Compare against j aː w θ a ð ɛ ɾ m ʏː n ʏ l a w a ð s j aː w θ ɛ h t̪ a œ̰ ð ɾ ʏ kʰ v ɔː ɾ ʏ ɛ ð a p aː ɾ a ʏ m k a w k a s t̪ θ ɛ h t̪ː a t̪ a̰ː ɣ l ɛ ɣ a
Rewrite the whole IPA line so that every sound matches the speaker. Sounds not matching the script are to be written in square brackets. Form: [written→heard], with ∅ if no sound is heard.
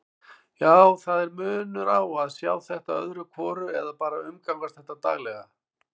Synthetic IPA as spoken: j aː w θ a ð ɛ ɾ m ʏː n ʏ [l→ɾ] a w a ð s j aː w θ ɛ h t̪ a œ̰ ð ɾ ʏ kʰ v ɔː ɾ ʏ ɛ ð a p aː ɾ a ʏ m k a w k a s t̪ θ ɛ h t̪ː a t̪ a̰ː ɣ l ɛ ɣ a